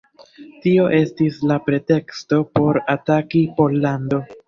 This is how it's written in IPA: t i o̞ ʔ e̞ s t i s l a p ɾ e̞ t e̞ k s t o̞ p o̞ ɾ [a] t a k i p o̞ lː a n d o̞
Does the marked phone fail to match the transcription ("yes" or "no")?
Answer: no